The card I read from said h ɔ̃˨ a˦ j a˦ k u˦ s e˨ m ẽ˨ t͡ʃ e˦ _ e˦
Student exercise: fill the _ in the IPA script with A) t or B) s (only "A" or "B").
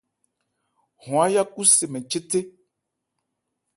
A